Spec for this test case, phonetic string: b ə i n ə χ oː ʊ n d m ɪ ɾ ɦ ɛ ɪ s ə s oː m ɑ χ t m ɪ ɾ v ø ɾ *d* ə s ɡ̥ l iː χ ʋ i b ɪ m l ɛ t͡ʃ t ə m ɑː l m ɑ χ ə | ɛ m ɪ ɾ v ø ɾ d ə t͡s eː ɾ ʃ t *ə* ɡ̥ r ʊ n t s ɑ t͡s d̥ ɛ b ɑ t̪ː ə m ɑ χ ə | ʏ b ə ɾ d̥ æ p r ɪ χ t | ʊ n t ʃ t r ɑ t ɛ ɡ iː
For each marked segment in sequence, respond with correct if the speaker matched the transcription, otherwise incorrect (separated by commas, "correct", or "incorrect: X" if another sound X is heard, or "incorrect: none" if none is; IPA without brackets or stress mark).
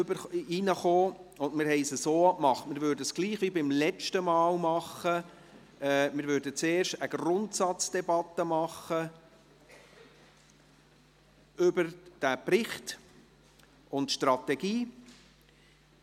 correct, correct